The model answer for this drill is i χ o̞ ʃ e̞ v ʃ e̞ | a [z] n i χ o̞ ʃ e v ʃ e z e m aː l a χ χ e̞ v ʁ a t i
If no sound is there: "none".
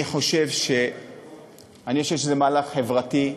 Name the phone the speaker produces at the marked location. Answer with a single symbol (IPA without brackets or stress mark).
none